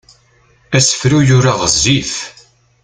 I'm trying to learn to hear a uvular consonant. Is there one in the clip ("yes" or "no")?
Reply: yes